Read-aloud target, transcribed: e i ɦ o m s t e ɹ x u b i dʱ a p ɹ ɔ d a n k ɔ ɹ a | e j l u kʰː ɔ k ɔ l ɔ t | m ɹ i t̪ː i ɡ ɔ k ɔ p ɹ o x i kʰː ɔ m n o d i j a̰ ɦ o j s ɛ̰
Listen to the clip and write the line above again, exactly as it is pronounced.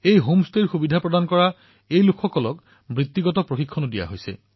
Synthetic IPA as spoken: e j ɦ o m s t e ɹ x u b i dʱ a p ɹ ɔ d a n k ɔ ɹ a | e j l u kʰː ɔ k ɔ l ɔ k | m ɹ i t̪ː i ɡ ɔ t ɔ p ɹ o x i kʰː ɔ n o d i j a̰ ɦ o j s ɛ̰